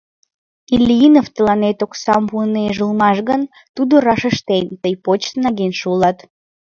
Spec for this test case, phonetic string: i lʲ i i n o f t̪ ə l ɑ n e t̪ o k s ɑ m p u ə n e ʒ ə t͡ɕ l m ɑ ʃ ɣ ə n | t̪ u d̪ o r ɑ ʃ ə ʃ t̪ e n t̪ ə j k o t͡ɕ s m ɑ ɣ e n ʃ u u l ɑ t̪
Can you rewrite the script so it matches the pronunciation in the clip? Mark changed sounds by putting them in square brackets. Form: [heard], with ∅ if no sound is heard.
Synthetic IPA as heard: i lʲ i i n o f t̪ ə l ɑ n e t̪ o k s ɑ m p u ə n e ʒ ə [∅] l m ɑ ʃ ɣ ə n | t̪ u d̪ o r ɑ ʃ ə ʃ t̪ e n t̪ ə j [p] o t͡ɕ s [n] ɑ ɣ e n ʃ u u l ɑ t̪